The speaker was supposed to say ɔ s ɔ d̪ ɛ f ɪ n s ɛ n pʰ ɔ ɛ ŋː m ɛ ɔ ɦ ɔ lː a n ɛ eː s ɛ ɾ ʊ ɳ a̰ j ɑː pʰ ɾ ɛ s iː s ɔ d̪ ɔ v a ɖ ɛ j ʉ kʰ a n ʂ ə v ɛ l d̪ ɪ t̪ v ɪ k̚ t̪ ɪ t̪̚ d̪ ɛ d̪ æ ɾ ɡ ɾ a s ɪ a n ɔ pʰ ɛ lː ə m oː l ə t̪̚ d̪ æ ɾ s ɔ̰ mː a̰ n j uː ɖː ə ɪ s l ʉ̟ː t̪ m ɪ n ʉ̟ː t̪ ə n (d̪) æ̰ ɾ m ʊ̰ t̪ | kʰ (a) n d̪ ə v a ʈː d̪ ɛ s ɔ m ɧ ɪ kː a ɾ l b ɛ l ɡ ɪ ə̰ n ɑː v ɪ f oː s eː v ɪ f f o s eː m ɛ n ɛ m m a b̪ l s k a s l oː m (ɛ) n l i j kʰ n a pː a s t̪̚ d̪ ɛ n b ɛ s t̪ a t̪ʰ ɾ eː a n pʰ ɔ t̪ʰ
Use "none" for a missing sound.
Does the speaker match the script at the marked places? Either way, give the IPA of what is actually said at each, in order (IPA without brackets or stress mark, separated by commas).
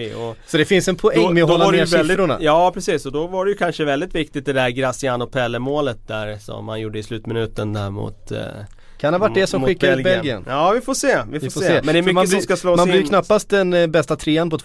d̪, a, a